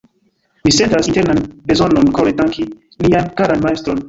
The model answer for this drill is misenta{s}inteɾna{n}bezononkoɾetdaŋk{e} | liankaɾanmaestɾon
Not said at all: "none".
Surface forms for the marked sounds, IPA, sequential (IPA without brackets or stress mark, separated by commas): s, n, i